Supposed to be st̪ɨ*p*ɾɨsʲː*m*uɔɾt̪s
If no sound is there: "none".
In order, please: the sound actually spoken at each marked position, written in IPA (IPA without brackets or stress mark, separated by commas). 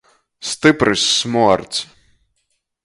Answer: p, m